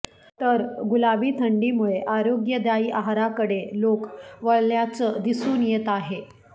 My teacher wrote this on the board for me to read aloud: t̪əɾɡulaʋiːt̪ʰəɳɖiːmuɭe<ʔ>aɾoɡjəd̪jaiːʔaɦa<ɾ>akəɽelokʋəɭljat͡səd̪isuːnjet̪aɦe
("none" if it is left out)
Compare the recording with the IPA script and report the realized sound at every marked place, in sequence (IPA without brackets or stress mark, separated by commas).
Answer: ʔ, ɾ